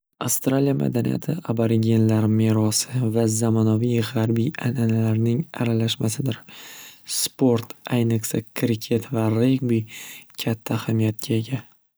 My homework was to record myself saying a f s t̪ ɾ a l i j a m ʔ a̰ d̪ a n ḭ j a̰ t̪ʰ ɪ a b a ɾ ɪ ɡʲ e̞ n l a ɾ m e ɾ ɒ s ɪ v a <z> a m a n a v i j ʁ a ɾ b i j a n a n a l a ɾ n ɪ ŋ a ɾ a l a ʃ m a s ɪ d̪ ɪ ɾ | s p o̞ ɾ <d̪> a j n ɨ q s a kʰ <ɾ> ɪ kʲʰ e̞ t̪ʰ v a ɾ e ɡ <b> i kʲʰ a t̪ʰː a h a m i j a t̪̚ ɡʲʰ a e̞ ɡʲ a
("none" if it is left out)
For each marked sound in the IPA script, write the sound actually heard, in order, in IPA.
z, t̪, ɾ, b

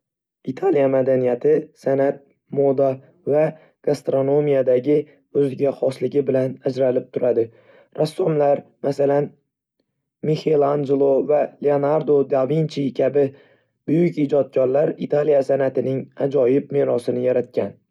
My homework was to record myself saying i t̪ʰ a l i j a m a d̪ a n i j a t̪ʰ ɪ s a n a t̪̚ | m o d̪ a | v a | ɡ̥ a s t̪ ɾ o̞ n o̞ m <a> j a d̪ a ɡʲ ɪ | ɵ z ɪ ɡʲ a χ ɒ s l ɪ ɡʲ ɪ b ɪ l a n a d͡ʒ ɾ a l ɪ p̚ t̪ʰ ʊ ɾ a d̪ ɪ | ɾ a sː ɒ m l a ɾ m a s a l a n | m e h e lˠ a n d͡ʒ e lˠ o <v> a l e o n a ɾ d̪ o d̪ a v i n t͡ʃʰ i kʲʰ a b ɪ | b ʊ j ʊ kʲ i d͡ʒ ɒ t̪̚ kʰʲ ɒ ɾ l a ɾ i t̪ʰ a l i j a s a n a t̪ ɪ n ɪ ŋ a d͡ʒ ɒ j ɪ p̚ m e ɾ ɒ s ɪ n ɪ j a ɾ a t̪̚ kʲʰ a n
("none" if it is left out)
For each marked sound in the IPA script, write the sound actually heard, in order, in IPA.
i, v

